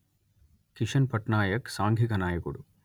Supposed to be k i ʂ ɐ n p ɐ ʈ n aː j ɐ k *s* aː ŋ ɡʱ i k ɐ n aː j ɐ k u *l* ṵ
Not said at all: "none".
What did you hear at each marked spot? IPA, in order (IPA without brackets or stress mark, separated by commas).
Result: s, ɽ